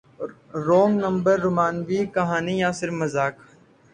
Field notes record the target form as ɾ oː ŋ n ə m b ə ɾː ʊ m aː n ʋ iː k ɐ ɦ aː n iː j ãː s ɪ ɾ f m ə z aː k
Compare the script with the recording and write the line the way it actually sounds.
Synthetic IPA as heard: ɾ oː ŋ n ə m b ə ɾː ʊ m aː n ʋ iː k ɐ ɦ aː n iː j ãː s ɪ ɾ f m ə z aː k